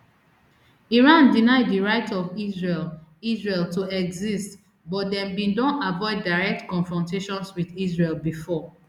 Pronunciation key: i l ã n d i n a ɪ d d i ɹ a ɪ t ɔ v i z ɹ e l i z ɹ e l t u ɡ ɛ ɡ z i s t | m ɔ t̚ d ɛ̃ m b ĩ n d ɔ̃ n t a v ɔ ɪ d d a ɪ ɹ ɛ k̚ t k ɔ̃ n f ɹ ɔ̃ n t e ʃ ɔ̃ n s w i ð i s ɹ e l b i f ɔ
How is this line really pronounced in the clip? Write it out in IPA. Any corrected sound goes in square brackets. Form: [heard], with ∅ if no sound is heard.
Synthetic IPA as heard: i [ɹ] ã n d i n a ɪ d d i ɹ a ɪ t ɔ v i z ɹ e l i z ɹ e l t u [∅] ɛ ɡ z i s t | [b] ɔ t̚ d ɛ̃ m b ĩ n d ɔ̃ n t a v ɔ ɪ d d a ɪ ɹ ɛ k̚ t k ɔ̃ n f ɹ ɔ̃ n t e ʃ ɔ̃ n s w i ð i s ɹ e l b i f ɔ